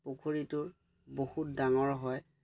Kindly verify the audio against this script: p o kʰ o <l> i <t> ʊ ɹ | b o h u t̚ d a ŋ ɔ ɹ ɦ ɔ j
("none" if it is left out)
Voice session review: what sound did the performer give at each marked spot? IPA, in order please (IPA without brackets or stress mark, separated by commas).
ɹ, t